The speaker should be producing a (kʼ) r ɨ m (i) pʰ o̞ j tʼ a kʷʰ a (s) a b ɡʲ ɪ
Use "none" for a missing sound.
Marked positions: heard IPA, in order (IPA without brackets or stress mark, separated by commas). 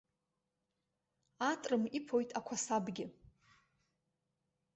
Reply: tʼ, i, s